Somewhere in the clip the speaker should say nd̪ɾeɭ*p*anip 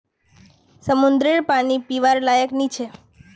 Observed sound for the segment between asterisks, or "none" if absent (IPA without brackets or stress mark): p